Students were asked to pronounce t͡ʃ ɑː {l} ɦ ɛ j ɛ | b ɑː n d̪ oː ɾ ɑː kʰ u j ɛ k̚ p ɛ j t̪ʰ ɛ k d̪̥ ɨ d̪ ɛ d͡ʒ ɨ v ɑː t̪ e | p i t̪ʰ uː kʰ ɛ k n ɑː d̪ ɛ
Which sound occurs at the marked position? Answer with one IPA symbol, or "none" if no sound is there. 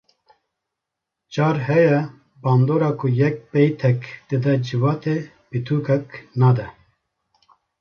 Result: ɾ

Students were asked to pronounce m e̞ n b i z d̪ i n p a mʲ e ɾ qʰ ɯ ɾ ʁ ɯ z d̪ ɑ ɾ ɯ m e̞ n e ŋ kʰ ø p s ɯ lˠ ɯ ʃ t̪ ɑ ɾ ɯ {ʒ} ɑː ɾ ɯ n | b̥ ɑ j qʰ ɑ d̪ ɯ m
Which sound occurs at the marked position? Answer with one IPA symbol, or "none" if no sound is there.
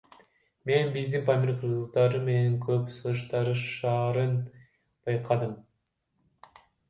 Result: ʃ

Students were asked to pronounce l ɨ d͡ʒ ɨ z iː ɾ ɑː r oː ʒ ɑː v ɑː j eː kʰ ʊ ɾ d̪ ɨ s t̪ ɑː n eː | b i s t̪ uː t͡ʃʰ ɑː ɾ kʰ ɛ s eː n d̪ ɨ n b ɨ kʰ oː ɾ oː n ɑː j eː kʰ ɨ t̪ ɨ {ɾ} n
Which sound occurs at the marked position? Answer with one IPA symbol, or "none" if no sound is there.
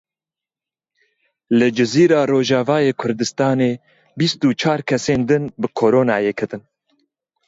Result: none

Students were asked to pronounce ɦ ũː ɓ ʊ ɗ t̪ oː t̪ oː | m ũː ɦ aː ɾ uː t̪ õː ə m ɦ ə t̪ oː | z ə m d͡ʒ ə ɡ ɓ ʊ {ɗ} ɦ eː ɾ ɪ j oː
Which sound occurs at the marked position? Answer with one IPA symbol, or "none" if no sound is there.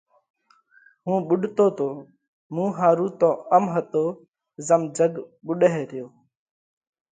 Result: ɗ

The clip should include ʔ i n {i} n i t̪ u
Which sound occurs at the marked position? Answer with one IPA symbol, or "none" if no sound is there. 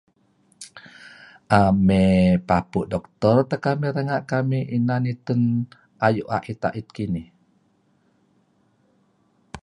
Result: a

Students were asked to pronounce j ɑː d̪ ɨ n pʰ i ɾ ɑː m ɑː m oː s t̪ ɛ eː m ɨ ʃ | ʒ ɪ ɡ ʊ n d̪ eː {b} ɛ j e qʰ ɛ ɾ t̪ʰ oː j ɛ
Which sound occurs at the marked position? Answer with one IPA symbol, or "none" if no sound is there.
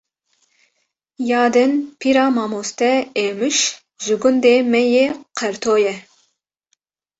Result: m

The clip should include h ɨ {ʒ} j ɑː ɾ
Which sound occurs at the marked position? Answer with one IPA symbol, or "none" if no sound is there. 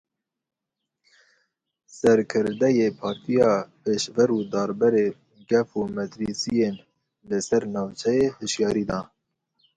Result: ʃ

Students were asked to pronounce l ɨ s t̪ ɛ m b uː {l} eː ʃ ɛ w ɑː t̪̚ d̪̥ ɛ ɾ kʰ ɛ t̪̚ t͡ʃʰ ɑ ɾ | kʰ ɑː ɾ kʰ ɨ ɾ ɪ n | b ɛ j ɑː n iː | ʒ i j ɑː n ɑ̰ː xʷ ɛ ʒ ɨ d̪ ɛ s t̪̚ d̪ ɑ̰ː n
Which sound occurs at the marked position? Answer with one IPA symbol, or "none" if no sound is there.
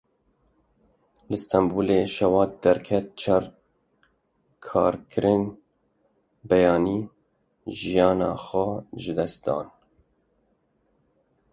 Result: l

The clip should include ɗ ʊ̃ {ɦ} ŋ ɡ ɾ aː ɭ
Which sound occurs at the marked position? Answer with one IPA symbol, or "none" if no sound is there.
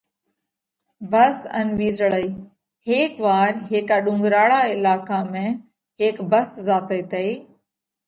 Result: none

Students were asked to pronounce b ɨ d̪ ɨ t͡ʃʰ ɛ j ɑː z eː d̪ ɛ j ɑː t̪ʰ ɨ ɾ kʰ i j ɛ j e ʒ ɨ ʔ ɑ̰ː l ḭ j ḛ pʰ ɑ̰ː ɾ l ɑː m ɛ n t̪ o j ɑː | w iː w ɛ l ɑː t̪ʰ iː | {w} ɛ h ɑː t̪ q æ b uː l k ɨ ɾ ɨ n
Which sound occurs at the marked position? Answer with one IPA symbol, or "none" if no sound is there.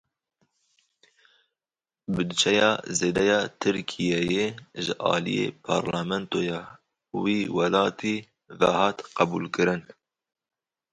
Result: v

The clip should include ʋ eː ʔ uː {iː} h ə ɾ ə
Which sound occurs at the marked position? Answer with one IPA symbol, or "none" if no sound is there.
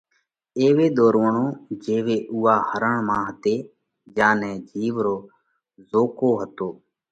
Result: aː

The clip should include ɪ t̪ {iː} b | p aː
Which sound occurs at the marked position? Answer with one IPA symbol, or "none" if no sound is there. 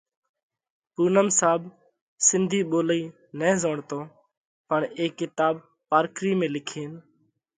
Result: aː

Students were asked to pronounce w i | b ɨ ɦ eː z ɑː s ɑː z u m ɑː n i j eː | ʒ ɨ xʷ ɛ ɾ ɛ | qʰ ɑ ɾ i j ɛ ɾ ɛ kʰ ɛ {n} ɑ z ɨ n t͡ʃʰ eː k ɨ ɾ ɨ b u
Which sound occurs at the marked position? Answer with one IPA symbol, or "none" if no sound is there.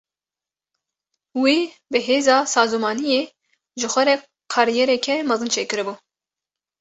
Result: m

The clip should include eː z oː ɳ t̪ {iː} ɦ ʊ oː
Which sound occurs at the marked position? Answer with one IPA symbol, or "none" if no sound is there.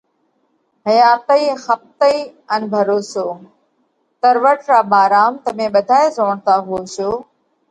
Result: aː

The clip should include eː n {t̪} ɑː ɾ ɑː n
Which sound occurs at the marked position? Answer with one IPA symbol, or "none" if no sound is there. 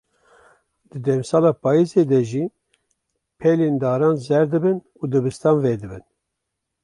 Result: d̪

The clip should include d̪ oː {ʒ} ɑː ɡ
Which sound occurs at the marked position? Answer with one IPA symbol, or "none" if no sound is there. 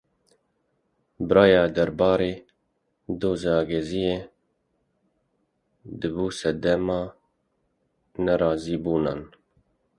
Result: z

